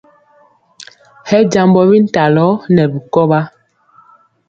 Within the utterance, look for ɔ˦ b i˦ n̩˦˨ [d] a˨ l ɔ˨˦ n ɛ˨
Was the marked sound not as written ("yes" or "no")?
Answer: yes